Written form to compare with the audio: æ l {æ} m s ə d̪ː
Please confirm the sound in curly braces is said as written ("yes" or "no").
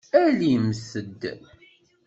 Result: no